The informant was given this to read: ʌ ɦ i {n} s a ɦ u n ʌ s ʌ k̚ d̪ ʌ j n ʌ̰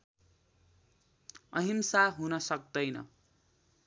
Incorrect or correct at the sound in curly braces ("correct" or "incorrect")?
incorrect